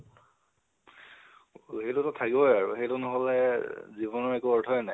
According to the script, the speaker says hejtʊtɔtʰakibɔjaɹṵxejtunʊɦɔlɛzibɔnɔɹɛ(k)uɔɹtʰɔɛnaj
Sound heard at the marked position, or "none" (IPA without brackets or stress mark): k